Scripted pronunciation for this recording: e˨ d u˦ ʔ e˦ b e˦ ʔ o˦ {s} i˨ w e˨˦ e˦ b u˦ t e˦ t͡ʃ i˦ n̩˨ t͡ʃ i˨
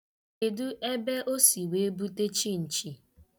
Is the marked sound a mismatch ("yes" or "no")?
no